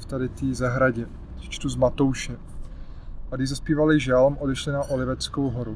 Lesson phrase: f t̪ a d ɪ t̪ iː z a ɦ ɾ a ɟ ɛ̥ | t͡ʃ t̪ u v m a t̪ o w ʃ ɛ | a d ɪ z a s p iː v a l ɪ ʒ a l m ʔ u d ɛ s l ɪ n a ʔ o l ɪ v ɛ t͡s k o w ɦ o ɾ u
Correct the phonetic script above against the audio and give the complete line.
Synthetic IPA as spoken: f t̪ a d ɪ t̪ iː z a ɦ ɾ a ɟ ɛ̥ | t͡ʃ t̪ u z m a t̪ o w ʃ ɛ | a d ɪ z a s p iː v a l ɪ ʒ a l m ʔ o d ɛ ʃ l ɪ n a ʔ o l ɪ v ɛ t͡s k o w ɦ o ɾ u